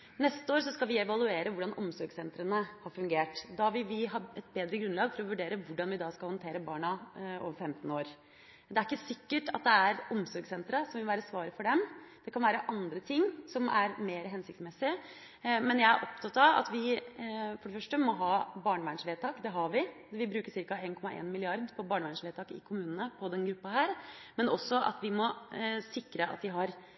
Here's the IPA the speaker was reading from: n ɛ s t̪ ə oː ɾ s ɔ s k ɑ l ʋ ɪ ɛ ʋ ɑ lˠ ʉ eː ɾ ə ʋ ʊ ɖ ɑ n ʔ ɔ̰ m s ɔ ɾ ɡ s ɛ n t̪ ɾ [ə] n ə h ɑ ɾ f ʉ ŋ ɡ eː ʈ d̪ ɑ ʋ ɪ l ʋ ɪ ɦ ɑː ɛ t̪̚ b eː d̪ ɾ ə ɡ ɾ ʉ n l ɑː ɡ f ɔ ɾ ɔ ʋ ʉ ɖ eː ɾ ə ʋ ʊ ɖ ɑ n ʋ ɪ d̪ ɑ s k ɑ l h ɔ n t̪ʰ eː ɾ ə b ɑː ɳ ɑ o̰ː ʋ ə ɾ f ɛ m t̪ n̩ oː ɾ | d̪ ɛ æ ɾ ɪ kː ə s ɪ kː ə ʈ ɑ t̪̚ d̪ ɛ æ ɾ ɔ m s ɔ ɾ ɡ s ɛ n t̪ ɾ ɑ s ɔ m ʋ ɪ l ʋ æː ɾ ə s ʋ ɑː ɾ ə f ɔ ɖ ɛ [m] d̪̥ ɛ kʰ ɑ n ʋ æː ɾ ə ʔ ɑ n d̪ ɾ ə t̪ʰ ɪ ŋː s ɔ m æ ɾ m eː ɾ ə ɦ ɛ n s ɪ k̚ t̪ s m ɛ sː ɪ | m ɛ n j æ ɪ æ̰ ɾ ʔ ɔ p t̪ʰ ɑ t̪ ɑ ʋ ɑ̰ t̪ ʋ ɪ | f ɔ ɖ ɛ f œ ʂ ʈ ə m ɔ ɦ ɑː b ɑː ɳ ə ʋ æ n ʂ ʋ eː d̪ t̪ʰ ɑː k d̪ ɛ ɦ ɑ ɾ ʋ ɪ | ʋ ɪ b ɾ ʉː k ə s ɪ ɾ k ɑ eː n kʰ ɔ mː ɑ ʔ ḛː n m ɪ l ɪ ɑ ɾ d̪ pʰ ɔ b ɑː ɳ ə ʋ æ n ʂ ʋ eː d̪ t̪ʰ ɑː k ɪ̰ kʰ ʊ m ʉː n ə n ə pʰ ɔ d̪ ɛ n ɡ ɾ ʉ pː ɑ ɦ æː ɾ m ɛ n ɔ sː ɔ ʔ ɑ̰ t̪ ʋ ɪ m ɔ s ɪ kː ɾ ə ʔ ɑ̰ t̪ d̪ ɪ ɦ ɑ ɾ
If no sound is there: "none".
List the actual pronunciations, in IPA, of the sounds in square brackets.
ə, m

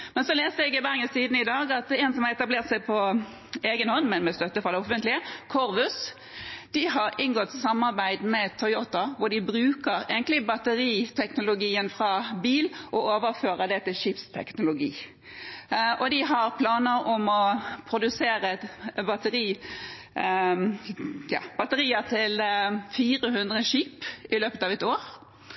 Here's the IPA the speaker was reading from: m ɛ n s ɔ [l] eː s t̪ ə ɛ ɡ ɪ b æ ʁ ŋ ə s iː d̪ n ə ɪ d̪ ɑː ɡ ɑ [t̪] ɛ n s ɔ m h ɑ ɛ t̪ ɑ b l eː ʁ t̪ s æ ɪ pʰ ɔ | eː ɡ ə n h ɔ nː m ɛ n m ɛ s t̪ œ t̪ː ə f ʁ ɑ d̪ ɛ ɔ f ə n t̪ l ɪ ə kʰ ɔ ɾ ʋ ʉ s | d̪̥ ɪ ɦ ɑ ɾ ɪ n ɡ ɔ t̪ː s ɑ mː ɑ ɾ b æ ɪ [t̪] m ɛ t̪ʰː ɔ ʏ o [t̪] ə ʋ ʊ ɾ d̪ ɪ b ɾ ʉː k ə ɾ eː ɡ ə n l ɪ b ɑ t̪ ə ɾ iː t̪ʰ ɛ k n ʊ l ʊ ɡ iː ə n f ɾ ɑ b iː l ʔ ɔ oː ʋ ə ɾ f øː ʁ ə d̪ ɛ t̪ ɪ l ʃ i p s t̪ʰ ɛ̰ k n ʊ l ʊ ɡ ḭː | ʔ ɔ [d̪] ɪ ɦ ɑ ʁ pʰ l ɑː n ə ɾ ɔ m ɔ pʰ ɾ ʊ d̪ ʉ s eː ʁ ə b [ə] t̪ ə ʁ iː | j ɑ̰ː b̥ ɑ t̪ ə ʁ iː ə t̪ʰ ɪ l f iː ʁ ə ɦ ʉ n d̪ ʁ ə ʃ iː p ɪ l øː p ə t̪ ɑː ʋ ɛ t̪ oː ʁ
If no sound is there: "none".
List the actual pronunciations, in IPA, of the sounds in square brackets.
l, t̪, d̪, t̪, d̪, ɑ

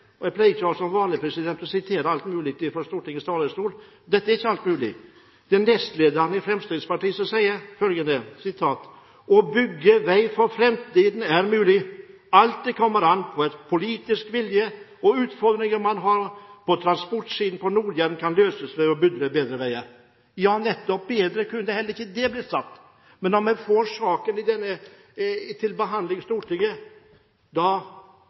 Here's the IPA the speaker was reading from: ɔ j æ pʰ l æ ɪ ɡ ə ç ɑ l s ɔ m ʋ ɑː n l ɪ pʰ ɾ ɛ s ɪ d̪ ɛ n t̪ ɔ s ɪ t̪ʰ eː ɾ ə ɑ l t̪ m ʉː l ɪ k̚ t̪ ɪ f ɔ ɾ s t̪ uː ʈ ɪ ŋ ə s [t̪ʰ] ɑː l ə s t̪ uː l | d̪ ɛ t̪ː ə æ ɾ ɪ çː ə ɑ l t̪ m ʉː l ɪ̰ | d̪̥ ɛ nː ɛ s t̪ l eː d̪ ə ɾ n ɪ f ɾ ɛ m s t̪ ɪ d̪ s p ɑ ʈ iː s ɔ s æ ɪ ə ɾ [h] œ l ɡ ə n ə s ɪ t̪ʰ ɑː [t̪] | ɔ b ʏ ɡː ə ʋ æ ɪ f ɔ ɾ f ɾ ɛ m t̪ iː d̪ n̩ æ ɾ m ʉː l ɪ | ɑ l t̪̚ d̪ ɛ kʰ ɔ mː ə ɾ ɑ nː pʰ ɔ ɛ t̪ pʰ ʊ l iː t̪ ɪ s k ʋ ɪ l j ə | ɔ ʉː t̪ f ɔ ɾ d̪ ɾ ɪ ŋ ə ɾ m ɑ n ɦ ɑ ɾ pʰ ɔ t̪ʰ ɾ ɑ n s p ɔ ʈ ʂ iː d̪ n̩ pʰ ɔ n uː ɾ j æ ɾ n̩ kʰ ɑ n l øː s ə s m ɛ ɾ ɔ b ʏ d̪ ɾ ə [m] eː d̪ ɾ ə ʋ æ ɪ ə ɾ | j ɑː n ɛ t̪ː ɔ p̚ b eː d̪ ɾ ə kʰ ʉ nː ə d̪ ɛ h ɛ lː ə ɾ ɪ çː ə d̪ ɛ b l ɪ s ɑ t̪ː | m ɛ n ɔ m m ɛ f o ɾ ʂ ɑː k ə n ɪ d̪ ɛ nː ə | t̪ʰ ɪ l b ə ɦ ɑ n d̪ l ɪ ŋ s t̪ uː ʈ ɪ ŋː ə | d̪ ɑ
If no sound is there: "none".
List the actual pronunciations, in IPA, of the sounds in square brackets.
t̪, f, t̪, b

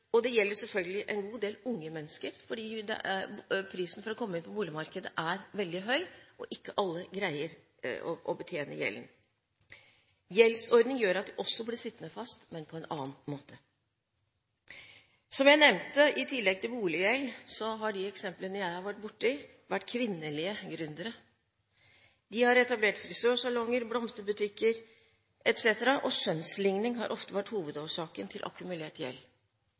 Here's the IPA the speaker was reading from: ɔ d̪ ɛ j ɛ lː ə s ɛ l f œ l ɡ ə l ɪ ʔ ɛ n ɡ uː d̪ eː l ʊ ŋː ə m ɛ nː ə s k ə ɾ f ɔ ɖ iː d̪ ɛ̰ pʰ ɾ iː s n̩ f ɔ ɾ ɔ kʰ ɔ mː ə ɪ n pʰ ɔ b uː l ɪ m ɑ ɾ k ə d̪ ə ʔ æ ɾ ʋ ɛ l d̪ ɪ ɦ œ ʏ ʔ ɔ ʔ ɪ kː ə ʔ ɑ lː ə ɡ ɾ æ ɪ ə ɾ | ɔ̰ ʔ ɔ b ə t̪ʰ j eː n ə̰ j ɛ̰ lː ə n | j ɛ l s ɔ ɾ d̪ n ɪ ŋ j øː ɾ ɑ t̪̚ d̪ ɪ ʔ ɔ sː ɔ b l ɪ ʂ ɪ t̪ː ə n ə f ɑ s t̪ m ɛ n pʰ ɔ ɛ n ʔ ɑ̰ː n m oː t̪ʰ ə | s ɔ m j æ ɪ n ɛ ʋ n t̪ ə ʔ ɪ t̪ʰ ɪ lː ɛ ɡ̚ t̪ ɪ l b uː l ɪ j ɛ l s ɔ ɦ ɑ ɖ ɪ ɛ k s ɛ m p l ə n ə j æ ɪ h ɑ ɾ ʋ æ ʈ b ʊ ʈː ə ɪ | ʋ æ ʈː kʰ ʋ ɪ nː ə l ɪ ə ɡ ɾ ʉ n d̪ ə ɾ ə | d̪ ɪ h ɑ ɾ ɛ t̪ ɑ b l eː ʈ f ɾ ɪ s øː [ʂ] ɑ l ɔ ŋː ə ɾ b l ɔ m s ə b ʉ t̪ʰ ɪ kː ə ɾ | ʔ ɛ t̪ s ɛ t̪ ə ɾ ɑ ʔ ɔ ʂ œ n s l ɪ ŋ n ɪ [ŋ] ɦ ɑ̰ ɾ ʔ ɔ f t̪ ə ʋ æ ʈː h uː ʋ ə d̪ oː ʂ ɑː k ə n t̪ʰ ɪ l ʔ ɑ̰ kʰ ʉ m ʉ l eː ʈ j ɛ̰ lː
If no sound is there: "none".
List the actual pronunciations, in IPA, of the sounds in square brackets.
ʂ, ŋ

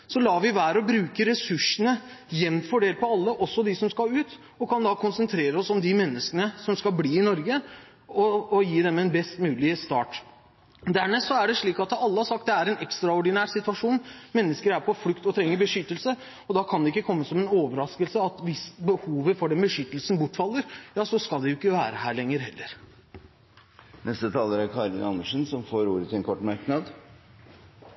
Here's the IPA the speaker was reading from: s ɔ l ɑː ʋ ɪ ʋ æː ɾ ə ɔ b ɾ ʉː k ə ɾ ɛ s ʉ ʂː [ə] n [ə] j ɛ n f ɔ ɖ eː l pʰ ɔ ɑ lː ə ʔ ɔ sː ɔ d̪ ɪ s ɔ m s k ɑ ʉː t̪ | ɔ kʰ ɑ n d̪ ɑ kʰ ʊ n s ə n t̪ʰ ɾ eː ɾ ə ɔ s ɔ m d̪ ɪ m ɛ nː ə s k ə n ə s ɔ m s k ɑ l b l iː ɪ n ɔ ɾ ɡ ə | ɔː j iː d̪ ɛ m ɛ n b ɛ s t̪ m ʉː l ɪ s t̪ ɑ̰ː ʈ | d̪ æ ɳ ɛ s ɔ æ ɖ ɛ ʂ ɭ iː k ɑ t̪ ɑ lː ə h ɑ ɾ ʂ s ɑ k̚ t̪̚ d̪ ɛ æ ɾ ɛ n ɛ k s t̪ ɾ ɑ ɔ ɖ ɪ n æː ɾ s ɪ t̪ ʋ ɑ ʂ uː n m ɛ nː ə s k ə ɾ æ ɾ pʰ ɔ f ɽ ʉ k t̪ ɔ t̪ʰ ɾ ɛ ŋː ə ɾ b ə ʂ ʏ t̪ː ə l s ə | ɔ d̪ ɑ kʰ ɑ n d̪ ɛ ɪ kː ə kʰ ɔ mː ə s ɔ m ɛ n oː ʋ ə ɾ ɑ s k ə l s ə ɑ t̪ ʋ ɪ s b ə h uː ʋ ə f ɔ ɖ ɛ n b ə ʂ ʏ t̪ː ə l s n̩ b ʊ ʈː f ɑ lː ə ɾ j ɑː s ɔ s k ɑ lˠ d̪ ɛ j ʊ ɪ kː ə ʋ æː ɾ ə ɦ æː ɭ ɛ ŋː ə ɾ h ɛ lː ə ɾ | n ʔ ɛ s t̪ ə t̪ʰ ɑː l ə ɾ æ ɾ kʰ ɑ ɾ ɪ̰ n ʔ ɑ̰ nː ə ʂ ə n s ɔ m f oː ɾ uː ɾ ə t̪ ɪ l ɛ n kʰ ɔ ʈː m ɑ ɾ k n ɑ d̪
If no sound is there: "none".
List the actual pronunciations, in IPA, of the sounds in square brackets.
ə, ə

